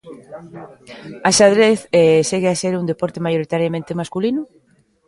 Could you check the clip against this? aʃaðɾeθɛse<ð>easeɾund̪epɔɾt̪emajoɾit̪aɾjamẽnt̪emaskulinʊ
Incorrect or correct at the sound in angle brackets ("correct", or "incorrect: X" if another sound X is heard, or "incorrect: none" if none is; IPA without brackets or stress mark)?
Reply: incorrect: ɣ